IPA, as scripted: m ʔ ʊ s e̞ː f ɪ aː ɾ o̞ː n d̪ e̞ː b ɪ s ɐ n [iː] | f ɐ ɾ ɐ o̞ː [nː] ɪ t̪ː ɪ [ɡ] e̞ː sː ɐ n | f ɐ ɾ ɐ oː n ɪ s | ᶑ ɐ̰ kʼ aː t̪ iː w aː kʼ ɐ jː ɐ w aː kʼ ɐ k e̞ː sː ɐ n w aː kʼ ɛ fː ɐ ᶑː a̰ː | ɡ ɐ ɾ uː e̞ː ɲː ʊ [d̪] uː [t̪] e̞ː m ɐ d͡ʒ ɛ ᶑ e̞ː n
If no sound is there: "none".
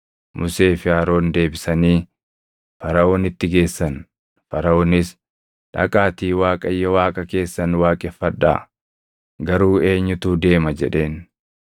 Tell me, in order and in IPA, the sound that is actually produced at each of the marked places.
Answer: iː, n, ɡ, t̪, d̪

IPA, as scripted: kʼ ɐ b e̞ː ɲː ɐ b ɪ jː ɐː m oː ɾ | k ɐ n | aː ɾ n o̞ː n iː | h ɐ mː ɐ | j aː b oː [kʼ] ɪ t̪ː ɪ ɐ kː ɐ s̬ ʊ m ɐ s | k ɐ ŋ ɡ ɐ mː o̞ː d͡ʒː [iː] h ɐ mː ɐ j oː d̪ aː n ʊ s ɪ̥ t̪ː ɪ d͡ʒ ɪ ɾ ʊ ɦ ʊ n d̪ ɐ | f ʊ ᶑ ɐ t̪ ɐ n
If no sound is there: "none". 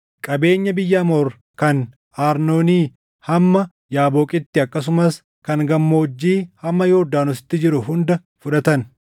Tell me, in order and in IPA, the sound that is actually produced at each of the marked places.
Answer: kʼ, iː

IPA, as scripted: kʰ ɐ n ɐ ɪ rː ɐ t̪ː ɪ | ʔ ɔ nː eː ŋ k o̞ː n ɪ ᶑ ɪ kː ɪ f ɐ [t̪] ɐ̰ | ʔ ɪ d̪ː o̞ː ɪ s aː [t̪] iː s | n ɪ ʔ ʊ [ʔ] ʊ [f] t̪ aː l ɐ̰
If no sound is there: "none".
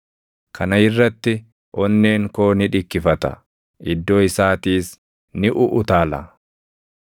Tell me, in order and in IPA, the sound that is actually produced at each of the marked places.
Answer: t̪, t̪, ʔ, none

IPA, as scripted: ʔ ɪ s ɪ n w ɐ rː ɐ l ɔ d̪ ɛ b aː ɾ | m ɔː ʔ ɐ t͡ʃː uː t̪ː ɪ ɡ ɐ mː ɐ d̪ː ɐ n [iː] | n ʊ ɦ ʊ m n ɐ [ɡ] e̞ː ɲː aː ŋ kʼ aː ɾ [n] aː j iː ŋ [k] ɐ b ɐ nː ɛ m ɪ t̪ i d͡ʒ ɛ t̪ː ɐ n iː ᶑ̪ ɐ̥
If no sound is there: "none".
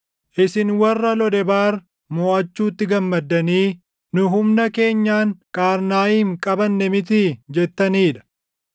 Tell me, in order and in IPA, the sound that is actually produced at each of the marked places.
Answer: iː, k, n, kʼ

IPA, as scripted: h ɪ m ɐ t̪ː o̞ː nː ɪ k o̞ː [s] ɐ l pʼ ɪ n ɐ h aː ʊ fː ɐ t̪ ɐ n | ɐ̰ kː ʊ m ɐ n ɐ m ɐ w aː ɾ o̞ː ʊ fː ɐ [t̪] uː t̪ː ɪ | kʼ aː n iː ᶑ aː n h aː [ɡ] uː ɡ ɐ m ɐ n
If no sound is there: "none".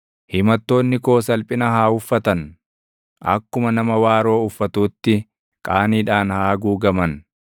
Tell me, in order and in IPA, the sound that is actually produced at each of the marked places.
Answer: s, t̪, ɡ

